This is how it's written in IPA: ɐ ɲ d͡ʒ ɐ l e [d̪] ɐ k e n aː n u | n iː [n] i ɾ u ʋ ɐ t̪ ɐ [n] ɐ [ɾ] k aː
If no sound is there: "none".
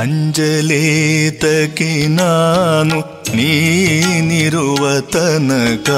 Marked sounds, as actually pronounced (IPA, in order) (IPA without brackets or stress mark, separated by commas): t̪, n, n, none